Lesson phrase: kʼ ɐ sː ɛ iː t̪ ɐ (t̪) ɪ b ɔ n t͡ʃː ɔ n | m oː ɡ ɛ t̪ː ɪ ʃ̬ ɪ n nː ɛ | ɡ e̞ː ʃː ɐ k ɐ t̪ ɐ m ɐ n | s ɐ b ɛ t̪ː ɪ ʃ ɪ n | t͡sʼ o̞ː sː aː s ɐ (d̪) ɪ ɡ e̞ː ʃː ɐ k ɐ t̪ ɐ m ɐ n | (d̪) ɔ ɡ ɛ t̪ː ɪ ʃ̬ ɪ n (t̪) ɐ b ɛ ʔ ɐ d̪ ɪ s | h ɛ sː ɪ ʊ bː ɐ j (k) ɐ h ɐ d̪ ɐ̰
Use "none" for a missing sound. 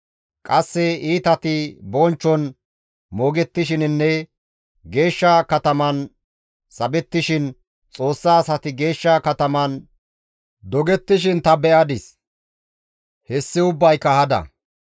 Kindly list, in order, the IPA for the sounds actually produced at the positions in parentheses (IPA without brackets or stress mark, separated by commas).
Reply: t̪, t̪, d̪, t̪, k